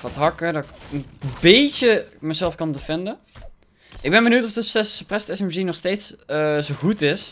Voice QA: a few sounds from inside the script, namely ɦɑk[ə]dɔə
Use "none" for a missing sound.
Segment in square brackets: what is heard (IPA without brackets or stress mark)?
ə